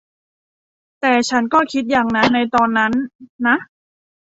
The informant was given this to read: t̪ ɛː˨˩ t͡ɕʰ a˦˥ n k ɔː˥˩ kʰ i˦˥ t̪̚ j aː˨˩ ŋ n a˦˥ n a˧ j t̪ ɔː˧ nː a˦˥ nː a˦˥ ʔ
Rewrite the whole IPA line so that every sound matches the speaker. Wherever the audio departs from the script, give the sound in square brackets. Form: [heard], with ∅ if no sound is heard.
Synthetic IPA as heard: t̪ ɛː˨˩ t͡ɕʰ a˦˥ n k ɔː˥˩ kʰ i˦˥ t̪̚ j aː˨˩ ŋ n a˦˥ n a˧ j t̪ ɔː˧ nː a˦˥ nː a˦˥ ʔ